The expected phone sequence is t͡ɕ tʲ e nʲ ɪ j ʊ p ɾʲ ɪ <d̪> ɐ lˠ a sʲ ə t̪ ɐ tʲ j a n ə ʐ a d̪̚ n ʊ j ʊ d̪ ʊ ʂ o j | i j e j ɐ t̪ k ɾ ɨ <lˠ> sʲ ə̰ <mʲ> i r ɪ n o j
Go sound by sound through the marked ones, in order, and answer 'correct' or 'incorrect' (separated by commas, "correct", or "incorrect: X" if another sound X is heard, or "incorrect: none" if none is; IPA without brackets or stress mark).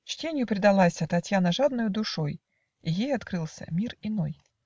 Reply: correct, correct, correct